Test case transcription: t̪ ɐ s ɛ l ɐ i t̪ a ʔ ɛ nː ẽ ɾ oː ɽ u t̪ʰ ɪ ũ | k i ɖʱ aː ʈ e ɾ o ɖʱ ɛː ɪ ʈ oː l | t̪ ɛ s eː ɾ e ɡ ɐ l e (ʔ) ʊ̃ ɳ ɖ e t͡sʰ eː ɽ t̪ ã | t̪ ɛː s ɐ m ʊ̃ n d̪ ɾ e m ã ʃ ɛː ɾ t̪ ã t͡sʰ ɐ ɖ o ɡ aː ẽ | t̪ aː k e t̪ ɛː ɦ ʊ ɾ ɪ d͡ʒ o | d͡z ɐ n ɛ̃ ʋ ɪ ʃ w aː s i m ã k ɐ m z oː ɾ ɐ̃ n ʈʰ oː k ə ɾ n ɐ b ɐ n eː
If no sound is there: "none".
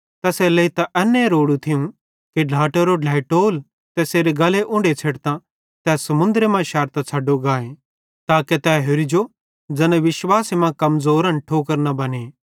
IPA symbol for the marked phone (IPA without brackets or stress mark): ʔ